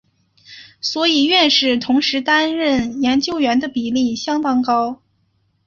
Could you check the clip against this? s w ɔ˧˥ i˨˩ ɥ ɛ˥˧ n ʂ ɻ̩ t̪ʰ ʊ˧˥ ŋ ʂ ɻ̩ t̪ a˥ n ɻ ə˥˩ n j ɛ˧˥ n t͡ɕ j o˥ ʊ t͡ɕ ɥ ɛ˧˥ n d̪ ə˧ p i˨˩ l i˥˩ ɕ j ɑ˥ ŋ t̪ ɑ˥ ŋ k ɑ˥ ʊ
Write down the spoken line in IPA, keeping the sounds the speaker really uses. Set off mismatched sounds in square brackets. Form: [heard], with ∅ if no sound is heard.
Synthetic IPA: s w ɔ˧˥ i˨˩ ɥ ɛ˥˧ n ʂ ɻ̩ t̪ʰ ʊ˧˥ ŋ ʂ ɻ̩ t̪ a˥ n ɻ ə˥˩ n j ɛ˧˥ n t͡ɕ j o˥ ʊ [∅] ɥ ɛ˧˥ n d̪ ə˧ p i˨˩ l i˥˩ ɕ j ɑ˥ ŋ t̪ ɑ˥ ŋ k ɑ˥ ʊ

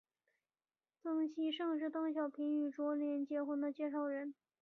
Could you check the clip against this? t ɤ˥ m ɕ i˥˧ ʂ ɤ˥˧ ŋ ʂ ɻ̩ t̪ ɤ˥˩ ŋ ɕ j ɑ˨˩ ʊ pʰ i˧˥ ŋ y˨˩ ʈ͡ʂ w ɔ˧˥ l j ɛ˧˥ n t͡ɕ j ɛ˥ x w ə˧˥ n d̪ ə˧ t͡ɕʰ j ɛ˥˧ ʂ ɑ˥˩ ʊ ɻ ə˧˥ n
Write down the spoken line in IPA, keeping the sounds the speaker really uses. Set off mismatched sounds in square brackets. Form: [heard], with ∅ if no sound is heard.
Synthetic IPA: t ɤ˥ [ŋ] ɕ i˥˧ ʂ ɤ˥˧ ŋ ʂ ɻ̩ t̪ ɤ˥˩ ŋ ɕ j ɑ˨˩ ʊ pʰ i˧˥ ŋ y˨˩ ʈ͡ʂ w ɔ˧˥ l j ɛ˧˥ n t͡ɕ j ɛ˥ x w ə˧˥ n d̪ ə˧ [t͡ɕ] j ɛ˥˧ ʂ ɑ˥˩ ʊ ɻ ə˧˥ n

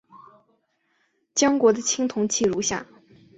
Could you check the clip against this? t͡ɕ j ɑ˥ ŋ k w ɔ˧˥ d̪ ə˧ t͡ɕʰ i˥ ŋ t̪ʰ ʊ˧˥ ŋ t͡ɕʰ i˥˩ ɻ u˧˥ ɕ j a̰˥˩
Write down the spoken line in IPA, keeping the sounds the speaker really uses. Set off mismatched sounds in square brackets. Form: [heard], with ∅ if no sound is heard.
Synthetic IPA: t͡ɕ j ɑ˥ ŋ k w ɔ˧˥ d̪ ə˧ t͡ɕʰ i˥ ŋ t̪ʰ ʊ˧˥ ŋ t͡ɕʰ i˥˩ ɻ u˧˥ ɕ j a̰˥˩

